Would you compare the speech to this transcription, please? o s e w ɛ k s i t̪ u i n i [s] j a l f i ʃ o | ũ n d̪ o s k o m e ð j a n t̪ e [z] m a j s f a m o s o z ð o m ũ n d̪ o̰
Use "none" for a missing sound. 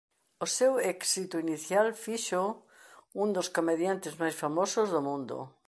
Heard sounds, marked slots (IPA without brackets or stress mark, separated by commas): θ, z